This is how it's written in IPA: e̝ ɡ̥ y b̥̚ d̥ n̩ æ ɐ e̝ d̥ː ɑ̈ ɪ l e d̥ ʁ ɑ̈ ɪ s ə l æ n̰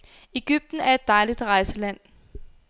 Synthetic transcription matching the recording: e̝ ɡ̥ y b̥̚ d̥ n̩ æ ɐ e̝ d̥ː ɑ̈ ɪ l i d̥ ʁ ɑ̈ ɪ s ə l æ n̰